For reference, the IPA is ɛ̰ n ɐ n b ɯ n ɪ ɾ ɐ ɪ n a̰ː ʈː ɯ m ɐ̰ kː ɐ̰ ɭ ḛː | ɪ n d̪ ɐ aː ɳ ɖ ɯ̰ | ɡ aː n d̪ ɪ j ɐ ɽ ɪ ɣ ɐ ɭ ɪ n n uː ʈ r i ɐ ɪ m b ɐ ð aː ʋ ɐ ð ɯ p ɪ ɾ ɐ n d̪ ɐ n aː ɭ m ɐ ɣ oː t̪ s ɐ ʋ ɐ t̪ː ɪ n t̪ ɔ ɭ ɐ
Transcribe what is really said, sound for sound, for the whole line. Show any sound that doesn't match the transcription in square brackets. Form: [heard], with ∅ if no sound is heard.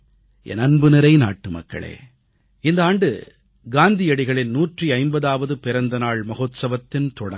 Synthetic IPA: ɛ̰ n ɐ n b ɯ n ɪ ɾ ɐ ɪ n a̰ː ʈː ɯ m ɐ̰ kː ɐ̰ ɭ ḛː | ɪ n d̪ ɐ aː ɳ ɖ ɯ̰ | ɡ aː n d̪ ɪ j ɐ ɽ ɪ ɣ ɐ ɭ ɪ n n uː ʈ r i ɐ ɪ m b ɐ ð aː ʋ ɐ ð ɯ p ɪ ɾ ɐ n d̪ ɐ n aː ɭ m ɐ ɣ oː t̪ s ɐ ʋ ɐ t̪ː ɪ n t̪ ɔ [ɽ] ɐ